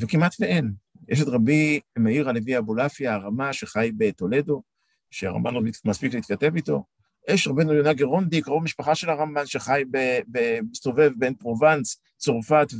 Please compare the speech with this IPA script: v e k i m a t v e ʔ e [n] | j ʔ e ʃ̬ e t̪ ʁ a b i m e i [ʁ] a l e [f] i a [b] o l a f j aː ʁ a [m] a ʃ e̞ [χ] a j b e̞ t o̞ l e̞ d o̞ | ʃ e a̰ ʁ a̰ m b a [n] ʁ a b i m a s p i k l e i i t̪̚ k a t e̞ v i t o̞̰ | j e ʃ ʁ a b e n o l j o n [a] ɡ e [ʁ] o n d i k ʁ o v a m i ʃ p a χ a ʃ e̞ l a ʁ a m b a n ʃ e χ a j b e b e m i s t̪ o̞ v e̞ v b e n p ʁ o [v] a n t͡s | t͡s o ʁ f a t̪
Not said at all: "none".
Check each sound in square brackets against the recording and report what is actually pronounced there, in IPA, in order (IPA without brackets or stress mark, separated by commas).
n, ʁ, v, b, m, χ, n, a, ʁ, v